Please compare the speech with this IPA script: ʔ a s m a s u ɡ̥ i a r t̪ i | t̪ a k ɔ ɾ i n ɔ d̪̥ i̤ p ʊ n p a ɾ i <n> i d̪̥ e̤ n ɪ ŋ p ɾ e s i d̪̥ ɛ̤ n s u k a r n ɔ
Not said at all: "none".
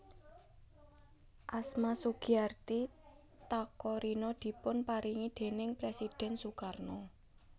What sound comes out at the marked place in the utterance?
ŋ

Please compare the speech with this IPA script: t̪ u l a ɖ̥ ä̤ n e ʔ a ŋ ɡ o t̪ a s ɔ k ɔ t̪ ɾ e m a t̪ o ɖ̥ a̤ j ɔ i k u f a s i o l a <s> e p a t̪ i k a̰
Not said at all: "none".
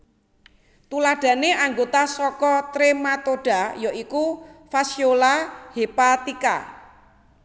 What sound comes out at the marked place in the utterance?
h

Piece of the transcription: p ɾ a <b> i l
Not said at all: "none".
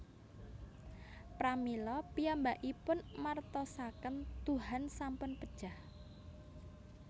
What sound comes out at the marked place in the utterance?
m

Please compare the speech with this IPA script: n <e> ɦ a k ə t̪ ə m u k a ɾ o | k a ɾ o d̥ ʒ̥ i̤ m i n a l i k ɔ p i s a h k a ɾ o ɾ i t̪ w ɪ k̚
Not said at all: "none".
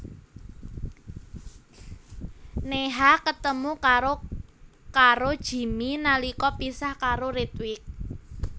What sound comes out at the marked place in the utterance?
e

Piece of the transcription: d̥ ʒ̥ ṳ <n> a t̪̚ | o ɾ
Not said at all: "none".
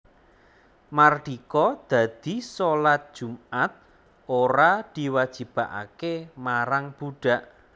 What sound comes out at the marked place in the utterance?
m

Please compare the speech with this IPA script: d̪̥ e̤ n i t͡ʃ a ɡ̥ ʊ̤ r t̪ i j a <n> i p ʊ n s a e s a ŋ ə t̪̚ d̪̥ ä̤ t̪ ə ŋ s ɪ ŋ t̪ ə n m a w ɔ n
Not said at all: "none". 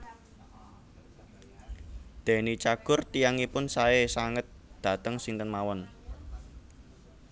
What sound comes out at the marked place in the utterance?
ŋ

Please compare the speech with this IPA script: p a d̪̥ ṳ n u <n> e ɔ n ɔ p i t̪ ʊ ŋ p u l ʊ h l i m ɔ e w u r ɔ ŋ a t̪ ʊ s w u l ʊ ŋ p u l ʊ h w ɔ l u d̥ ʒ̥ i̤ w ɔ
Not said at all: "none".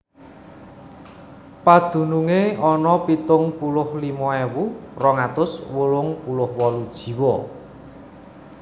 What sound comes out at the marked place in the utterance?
ŋ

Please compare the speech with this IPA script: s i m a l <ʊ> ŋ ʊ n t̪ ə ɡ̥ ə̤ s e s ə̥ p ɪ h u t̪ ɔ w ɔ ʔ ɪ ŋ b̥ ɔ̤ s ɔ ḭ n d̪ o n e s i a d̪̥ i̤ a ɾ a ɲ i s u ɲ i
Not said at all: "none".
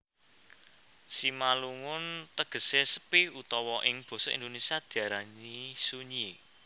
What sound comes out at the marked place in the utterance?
u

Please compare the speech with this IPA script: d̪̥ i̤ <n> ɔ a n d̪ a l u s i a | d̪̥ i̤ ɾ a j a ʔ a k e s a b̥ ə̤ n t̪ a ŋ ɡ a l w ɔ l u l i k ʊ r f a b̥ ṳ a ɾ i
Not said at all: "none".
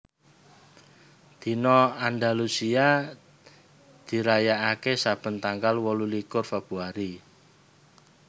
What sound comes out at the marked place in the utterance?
n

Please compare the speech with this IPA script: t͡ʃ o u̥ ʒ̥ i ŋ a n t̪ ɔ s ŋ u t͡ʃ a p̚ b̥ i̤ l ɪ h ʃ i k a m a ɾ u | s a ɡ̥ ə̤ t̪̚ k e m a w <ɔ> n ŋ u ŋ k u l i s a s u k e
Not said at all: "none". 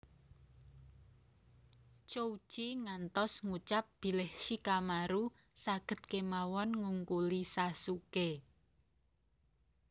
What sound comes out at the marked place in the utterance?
ɔ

